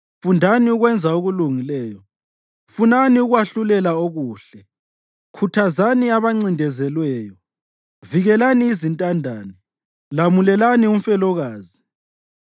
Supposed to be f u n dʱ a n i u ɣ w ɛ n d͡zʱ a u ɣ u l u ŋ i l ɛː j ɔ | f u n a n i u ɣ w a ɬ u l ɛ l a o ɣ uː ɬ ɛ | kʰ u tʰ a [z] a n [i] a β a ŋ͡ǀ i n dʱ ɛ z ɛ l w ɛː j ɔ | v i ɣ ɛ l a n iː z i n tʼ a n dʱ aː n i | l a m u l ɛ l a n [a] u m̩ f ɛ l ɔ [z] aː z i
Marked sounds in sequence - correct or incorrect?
correct, correct, incorrect: i, incorrect: ɣ

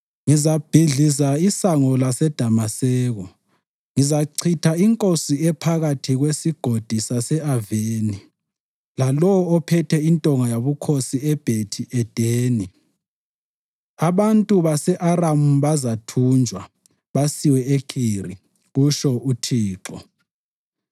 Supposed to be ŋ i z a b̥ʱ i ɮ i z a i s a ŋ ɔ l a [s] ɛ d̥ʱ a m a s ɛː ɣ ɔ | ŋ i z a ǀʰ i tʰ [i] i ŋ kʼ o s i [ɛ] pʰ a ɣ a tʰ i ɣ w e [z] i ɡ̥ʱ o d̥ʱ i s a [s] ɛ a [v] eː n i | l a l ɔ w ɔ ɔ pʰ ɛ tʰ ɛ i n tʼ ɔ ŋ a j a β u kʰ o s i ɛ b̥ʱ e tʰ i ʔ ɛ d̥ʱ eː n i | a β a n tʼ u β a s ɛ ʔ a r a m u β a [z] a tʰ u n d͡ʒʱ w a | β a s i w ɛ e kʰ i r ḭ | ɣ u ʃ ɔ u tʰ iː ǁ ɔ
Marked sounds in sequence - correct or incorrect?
correct, incorrect: a, correct, incorrect: s, correct, correct, correct

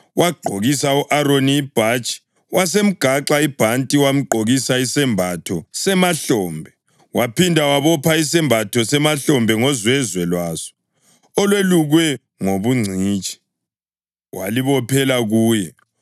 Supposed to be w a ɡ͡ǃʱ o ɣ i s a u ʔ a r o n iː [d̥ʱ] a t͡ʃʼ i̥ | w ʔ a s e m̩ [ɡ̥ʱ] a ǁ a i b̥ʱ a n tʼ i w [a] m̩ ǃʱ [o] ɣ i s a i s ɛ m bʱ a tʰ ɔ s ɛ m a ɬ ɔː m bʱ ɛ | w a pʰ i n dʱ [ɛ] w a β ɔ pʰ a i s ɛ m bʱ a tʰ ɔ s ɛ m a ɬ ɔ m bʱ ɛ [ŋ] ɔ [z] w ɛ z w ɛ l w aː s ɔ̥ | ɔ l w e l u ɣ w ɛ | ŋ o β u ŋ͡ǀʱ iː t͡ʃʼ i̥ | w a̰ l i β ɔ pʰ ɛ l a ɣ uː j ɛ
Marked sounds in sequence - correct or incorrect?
incorrect: b̥ʱ, correct, correct, correct, incorrect: a, correct, correct

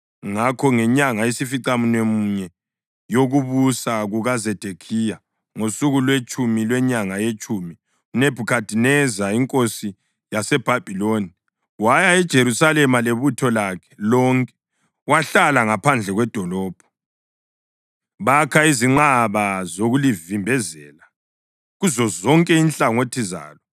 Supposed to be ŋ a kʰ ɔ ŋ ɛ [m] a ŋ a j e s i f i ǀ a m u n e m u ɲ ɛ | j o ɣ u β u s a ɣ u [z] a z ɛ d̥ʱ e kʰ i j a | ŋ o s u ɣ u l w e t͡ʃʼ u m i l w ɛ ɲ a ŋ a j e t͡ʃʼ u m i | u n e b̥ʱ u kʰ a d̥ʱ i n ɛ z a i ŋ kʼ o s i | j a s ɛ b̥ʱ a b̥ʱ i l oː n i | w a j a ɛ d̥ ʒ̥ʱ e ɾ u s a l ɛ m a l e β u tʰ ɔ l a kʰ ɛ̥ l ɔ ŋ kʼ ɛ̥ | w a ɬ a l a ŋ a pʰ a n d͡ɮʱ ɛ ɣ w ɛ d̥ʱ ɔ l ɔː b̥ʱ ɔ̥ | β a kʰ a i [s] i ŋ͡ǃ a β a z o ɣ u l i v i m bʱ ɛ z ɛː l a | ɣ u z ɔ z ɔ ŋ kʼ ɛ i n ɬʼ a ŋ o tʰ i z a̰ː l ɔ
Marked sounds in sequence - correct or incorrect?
incorrect: ɲ, incorrect: ɣ, incorrect: z

